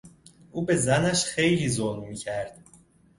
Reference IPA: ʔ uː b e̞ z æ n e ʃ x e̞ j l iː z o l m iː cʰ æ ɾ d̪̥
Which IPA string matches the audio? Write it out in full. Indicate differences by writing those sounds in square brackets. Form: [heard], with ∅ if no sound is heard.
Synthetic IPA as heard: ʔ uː b e̞ z æ n [æ] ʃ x e̞ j l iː z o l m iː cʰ æ ɾ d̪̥